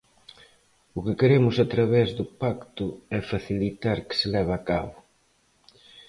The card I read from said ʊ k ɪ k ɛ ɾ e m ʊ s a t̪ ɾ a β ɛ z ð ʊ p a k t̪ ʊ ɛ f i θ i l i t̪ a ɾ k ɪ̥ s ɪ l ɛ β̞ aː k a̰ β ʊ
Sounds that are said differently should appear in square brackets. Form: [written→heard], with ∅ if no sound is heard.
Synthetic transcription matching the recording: ʊ k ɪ k [ɛ→e] ɾ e m ʊ s a t̪ ɾ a β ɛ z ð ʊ p a k t̪ ʊ ɛ f [i→a] θ i l i t̪ a ɾ k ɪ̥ s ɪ l ɛ β̞ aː k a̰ β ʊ